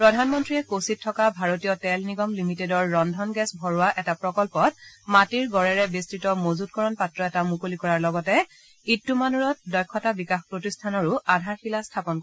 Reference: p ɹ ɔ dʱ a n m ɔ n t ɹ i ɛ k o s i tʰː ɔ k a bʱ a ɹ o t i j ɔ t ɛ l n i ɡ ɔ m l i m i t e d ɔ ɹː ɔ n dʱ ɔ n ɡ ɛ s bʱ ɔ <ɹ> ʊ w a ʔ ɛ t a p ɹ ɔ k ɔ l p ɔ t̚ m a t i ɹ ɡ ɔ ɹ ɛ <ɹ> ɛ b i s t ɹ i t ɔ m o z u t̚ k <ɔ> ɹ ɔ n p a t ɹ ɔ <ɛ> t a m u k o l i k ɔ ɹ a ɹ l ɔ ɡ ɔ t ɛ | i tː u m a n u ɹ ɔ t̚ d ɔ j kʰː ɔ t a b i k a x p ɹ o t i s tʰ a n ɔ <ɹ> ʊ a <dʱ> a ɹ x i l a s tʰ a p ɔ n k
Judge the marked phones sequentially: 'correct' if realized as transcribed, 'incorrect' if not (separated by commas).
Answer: correct, correct, correct, correct, correct, correct